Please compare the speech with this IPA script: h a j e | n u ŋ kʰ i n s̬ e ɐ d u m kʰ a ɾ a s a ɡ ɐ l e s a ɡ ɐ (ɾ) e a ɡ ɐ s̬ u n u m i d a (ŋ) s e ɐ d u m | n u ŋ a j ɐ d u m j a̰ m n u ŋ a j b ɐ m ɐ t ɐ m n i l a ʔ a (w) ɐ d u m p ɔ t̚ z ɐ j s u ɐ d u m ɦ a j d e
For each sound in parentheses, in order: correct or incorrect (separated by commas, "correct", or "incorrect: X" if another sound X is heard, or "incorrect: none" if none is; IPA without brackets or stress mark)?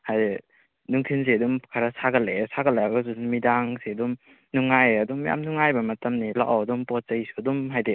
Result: incorrect: l, correct, correct